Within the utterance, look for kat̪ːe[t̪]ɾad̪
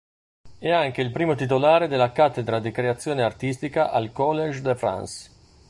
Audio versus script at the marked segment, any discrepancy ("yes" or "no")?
yes